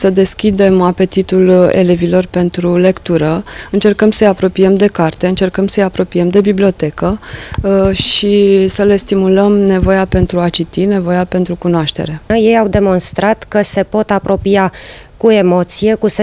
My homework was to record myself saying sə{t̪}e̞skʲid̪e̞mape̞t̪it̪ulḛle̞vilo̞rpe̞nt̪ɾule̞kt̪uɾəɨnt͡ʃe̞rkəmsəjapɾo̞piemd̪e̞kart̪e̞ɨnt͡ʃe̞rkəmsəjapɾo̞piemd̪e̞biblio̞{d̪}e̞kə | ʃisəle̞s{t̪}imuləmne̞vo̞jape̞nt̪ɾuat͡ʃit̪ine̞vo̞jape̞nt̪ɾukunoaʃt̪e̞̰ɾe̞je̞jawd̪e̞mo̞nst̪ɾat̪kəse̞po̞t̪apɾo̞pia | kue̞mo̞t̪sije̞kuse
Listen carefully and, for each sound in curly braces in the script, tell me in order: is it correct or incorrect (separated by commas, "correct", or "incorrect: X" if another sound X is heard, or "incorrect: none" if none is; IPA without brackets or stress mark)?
incorrect: d̪, incorrect: t̪, correct